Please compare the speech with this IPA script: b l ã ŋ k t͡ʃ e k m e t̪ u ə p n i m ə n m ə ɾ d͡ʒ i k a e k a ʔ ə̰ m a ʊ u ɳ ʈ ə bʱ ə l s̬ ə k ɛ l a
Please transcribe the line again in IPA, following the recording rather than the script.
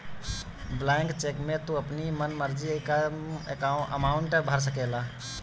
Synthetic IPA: b l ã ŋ k t͡ʃ e k m e t̪ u ə p n i m ə n m ə ɾ d͡ʒ i k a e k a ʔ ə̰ m a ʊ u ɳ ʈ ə bʱ ə ɾ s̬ ə k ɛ l a